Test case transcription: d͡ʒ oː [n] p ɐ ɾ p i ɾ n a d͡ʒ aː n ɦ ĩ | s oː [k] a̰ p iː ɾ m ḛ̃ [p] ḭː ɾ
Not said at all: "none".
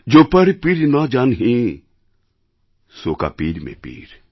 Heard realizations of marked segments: none, k, p

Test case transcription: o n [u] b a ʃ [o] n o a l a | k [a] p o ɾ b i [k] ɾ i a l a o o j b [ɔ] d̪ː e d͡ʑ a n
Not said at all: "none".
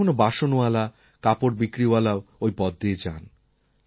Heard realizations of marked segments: o, o, a, k, ɔ

